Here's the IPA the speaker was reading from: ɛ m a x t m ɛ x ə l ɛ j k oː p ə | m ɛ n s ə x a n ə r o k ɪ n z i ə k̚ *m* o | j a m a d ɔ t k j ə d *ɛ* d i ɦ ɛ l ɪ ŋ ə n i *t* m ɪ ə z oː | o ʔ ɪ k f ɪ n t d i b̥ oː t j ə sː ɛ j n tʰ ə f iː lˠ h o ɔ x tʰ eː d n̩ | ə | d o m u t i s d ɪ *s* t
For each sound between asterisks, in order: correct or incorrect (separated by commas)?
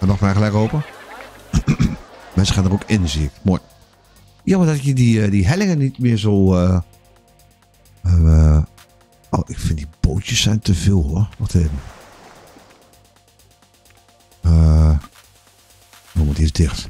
correct, incorrect, correct, incorrect